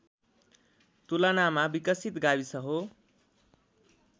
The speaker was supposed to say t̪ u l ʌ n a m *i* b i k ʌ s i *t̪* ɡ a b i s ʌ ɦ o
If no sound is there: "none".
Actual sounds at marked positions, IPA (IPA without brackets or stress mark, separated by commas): a, t̪